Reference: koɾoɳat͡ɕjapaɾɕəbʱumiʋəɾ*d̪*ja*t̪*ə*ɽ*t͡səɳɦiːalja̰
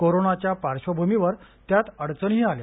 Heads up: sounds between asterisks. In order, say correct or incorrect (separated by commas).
incorrect, correct, correct